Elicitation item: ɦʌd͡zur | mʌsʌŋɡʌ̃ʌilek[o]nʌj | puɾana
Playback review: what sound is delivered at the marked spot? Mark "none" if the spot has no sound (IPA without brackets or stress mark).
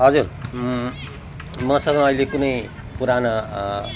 u